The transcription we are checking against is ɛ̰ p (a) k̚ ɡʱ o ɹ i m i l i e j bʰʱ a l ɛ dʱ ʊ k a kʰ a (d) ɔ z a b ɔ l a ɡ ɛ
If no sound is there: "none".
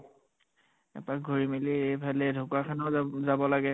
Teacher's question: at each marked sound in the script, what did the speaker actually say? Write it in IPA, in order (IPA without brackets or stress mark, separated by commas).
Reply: a, n